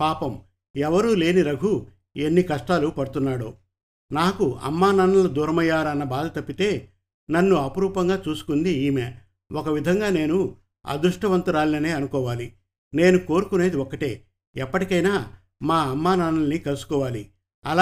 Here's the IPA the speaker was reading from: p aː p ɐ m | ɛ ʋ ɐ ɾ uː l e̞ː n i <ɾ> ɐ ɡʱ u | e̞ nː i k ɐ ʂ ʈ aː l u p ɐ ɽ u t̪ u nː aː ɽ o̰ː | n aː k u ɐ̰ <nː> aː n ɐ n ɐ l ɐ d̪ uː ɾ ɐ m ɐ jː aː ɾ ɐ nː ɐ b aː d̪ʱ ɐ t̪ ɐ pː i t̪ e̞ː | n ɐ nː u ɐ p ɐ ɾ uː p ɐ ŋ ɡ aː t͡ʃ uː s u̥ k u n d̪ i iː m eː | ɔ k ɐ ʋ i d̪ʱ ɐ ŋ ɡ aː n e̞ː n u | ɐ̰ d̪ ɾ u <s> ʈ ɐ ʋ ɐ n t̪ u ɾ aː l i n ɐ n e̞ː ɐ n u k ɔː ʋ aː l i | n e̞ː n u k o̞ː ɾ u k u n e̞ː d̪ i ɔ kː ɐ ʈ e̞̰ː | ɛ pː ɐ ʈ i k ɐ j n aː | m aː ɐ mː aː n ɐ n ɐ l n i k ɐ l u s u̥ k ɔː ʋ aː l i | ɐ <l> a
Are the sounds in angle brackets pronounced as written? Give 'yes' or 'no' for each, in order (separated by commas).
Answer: yes, no, no, yes